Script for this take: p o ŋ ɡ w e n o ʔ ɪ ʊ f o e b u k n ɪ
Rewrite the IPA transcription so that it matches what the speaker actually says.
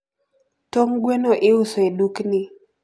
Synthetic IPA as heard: t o ŋ ɡ w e n o ʔ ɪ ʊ s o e d u k n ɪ